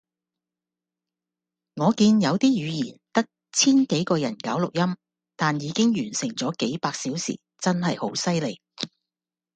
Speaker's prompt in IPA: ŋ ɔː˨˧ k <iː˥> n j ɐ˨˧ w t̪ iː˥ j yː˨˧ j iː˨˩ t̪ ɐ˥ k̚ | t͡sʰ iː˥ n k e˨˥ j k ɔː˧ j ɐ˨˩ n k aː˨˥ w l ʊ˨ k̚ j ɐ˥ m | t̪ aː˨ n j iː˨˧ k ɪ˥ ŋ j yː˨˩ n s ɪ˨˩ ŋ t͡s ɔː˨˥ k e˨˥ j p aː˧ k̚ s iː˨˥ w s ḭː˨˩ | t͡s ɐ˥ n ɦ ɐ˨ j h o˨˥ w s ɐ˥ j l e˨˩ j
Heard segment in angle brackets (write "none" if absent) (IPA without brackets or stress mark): iː˧